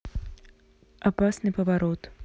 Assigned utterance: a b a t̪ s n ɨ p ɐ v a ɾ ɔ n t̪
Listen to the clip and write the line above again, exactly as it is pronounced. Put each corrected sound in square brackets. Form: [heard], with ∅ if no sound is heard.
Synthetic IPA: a [p] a [∅] s n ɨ p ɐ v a ɾ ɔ [∅] t̪